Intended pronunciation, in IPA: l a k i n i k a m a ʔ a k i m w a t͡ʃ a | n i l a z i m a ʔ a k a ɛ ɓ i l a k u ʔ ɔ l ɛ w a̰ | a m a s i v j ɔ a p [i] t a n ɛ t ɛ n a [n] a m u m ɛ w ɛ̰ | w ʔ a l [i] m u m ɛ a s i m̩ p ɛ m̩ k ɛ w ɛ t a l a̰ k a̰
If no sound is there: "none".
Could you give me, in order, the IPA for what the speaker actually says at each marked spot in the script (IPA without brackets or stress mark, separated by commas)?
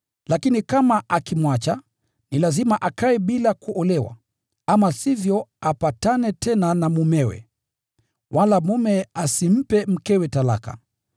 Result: a, n, a